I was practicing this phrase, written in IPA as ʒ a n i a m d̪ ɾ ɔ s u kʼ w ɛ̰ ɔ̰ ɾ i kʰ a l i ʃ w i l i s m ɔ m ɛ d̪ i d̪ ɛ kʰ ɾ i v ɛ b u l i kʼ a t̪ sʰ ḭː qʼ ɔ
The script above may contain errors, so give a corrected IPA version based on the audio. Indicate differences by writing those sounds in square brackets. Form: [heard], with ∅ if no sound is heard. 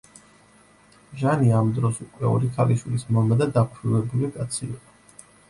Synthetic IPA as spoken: ʒ a n i a m d̪ ɾ ɔ s u kʼ w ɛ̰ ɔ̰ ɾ i kʰ a l i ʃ w i l i s m ɔ m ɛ d̪ [a] d̪ [a] kʰ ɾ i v ɛ b u l i kʼ a t̪ sʰ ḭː qʼ ɔ